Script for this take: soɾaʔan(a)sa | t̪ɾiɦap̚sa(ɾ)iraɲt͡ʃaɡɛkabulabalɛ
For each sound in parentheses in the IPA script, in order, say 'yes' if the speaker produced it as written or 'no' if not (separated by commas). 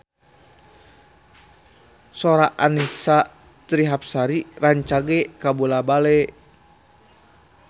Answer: no, yes